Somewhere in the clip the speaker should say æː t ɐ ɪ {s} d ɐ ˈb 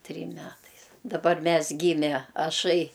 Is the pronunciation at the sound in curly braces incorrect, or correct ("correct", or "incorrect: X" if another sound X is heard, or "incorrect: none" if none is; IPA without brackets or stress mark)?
correct